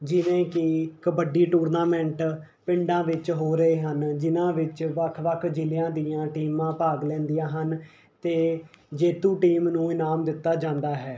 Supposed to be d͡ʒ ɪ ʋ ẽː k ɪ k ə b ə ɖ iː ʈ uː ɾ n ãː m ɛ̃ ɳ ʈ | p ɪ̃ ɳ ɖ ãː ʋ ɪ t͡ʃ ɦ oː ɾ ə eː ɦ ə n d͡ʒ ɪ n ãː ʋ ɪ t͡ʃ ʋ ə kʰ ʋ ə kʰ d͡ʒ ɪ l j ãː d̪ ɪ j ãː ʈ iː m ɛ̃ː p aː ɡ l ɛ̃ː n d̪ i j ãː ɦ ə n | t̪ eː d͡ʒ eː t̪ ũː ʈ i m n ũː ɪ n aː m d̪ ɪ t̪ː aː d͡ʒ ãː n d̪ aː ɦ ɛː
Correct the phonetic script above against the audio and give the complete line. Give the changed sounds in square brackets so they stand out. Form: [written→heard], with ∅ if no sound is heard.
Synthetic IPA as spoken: d͡ʒ ɪ ʋ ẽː k ɪ k ə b ə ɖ iː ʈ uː ɾ n [ãː→aː] m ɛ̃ ɳ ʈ | p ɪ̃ ɳ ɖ ãː ʋ ɪ t͡ʃ ɦ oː ɾ ə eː ɦ ə n d͡ʒ ɪ n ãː ʋ ɪ t͡ʃ ʋ ə kʰ ʋ ə kʰ d͡ʒ ɪ l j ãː d̪ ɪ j ãː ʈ iː m [ɛ̃ː→ãː] p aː ɡ l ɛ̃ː n d̪ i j ãː ɦ ə n | t̪ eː d͡ʒ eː t̪ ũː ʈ [i→iː] m n ũː ɪ n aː m d̪ ɪ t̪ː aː d͡ʒ ãː n d̪ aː ɦ ɛː